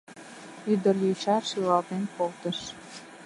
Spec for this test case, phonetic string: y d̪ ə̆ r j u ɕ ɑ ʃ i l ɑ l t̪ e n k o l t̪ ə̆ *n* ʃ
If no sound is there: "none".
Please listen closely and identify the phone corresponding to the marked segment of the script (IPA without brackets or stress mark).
none